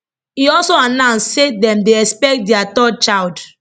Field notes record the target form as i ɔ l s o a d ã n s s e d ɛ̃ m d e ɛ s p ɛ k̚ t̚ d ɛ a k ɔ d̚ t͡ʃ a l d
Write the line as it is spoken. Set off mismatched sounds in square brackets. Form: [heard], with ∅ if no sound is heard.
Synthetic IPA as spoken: i ɔ l s o a [n] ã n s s e d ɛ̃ m d e ɛ s p ɛ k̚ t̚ d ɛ a [t] ɔ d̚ t͡ʃ a l d